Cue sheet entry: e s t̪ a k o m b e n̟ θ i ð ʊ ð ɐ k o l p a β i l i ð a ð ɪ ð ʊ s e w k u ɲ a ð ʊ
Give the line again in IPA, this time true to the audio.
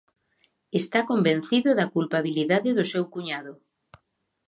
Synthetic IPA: e s t̪ a k o m b e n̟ θ i ð ʊ ð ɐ k u l p a β i l i ð a ð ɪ ð ʊ s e w k u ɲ a ð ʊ